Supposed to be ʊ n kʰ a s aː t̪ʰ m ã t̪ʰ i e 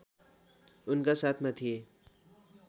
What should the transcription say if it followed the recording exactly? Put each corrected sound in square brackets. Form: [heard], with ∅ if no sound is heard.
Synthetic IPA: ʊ n [k] a s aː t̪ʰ m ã t̪ʰ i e

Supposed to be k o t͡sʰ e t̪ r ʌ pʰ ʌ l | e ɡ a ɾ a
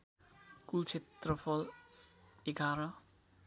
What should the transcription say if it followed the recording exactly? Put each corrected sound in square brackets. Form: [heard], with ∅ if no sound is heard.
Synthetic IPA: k [u] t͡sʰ e t̪ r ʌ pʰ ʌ l | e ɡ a ɾ [ʌ]

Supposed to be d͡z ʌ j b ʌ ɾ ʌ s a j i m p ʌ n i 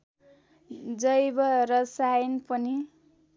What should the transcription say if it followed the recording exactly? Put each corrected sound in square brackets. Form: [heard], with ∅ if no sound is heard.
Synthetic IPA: d͡z ʌ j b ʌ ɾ ʌ s a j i [n] p ʌ n i

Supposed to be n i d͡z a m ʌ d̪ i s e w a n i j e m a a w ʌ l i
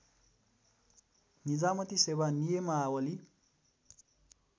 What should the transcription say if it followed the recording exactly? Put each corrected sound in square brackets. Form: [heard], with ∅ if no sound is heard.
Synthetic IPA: n i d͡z a m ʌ [t̪] i s e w a n i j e m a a w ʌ l i

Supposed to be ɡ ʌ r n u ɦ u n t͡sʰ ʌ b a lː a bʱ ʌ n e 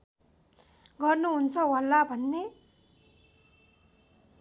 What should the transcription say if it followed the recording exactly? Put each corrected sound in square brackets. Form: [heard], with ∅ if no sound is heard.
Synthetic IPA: ɡ ʌ r n u ɦ u n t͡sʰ ʌ [w] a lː a bʱ ʌ [nː] e

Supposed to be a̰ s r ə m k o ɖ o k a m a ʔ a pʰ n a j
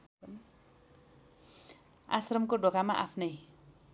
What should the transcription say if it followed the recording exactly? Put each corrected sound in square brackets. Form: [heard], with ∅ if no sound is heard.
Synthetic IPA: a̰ s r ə m k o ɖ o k a m a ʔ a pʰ n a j

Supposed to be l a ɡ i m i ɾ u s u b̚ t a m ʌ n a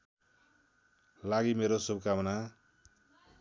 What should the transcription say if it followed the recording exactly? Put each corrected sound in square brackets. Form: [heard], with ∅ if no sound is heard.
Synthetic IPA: l a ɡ i m [e] ɾ [o] s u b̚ [k] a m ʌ n a

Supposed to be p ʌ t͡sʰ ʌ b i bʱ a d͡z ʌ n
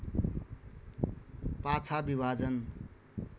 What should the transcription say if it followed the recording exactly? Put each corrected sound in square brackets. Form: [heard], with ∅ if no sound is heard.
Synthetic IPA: p [a] t͡sʰ [a] b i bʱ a d͡z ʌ n

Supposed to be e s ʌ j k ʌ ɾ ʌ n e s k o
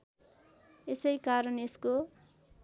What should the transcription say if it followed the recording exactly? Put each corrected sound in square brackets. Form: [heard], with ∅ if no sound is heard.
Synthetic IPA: e s ʌ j k [a] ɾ ʌ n e s k o

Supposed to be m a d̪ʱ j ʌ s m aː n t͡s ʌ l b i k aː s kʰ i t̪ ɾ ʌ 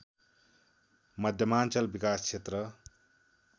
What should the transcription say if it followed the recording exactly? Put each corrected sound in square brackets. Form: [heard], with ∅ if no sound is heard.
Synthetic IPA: m [ʌ] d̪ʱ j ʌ [∅] m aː n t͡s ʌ l b i k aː s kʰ [e] t̪ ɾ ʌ

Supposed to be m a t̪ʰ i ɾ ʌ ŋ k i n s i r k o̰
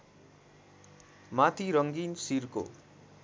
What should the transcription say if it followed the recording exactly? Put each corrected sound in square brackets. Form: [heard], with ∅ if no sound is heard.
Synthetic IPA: m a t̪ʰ i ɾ ʌ ŋ [ɡ] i n s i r k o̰

